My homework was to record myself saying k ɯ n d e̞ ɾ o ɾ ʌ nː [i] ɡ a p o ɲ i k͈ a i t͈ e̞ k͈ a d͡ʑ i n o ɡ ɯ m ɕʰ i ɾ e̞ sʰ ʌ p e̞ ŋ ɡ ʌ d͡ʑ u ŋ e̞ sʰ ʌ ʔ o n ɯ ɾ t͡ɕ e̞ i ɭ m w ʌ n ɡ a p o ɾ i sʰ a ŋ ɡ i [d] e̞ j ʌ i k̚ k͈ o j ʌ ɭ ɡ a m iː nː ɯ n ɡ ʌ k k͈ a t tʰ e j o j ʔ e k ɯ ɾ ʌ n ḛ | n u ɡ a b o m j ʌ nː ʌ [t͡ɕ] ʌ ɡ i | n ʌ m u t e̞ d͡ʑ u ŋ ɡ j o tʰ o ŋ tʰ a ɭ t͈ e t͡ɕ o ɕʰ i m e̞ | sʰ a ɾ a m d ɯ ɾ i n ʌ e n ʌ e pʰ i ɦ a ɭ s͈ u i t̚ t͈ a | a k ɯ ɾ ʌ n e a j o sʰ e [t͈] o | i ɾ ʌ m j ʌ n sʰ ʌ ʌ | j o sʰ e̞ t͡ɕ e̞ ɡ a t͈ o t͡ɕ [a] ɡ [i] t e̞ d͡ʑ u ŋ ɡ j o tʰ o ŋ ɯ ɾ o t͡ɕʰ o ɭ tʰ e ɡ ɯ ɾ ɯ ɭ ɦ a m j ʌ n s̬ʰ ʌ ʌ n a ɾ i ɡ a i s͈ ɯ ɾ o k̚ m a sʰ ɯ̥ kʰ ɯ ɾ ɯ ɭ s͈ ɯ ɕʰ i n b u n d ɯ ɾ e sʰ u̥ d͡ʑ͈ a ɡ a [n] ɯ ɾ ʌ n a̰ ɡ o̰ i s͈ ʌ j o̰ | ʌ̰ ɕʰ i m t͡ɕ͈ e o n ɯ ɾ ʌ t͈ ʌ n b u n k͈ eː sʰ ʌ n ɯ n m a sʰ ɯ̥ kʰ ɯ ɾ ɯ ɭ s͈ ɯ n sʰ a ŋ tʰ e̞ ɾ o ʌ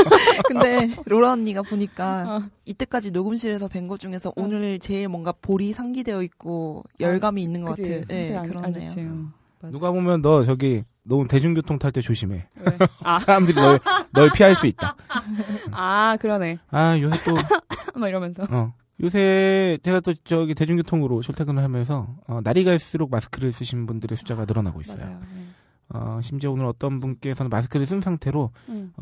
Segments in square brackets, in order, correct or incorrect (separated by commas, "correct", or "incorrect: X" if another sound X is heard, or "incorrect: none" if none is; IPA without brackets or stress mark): correct, correct, correct, correct, incorrect: ʌ, correct, correct